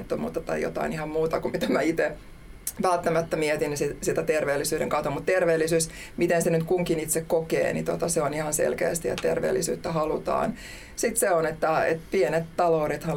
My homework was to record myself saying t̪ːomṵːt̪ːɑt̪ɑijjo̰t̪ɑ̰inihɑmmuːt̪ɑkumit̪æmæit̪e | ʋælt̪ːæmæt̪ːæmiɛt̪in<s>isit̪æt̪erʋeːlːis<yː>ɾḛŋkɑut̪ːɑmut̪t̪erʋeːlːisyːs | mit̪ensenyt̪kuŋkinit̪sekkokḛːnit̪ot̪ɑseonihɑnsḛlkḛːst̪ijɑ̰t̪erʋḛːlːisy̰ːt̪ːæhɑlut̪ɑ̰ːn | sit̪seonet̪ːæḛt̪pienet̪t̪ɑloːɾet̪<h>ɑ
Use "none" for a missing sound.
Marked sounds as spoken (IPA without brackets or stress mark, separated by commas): s, yː, h